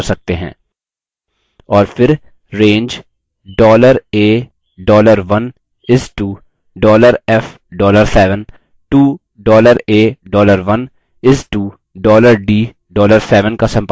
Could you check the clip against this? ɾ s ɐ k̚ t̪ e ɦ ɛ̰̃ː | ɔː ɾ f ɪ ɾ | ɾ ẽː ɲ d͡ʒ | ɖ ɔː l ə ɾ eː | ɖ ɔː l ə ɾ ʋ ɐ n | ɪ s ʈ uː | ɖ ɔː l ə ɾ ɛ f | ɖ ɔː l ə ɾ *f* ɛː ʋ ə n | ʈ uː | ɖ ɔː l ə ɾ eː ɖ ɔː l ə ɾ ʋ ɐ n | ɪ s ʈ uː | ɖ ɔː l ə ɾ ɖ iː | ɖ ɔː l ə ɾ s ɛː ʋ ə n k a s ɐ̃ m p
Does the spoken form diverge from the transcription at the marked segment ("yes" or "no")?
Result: yes